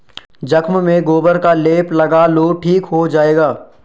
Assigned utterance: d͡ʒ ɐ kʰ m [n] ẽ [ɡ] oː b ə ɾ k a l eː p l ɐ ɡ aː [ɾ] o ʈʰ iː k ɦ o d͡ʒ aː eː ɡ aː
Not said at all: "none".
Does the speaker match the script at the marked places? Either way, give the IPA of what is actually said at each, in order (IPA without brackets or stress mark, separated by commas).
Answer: m, ɡ, l